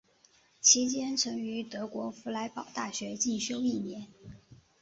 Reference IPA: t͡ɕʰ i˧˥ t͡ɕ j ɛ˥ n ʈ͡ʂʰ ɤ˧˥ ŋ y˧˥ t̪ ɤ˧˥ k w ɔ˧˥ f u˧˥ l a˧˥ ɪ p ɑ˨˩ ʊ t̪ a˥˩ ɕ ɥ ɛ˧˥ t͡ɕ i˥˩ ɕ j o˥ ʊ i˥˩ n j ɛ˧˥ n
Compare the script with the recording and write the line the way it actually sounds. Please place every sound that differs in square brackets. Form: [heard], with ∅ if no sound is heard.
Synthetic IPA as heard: t͡ɕʰ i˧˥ t͡ɕ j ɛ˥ n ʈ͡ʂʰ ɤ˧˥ ŋ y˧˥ t̪ ɤ˧˥ k w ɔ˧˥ f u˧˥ l a˧˥ ɪ p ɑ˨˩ ʊ t̪ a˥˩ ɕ ɥ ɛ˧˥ t͡ɕ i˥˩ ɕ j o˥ ʊ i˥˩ n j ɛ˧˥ n